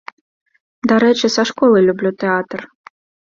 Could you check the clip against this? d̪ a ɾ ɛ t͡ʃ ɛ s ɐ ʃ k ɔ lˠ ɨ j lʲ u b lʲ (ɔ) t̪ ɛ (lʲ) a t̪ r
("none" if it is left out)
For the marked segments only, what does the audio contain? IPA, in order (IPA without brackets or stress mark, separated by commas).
u, none